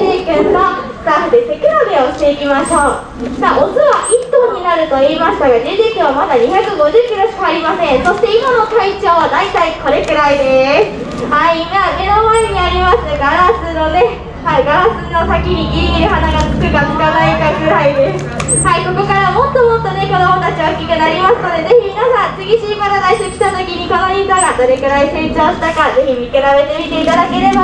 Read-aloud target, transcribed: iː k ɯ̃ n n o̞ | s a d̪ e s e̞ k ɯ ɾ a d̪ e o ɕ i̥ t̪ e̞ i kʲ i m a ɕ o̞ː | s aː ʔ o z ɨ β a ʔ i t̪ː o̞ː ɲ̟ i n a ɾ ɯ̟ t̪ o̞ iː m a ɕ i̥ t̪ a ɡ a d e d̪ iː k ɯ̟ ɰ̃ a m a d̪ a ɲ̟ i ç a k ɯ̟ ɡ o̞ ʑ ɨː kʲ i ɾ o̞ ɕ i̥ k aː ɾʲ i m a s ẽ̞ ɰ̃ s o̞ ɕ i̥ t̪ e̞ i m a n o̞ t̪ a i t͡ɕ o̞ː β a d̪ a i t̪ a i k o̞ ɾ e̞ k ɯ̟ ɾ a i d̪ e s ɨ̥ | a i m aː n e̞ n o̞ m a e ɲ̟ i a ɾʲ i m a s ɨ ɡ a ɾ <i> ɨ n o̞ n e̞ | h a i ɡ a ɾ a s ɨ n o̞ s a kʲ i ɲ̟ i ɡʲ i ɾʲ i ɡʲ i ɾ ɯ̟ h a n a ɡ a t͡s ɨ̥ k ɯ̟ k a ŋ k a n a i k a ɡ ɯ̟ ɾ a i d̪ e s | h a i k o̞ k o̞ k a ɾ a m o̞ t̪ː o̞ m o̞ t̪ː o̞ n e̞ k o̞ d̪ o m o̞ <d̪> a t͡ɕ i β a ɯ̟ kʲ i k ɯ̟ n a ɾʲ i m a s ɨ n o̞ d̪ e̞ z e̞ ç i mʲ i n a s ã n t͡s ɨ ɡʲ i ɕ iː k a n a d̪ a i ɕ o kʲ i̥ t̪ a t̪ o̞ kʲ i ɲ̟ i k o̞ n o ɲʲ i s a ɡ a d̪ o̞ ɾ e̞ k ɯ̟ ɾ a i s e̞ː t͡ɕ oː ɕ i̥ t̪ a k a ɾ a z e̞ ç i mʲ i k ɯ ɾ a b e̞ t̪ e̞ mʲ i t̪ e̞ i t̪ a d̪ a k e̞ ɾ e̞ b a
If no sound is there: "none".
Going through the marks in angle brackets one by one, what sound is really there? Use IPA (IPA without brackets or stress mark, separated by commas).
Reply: a, t̪